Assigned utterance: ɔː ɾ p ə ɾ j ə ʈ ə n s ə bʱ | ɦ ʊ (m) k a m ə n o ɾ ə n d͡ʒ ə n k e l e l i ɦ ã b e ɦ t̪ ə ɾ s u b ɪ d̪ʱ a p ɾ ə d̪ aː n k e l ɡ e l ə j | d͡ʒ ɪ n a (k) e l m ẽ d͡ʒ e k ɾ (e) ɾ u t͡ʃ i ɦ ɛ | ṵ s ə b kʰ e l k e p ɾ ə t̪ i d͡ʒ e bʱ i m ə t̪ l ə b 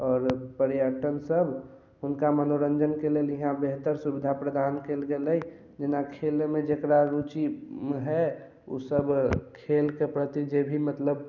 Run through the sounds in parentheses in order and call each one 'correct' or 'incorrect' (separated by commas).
incorrect, incorrect, incorrect